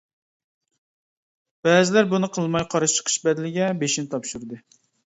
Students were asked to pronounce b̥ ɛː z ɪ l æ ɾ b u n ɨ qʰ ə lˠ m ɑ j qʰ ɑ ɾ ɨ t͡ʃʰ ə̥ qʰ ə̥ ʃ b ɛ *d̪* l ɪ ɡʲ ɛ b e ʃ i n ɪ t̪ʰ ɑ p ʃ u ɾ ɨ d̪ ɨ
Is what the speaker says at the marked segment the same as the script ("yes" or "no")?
yes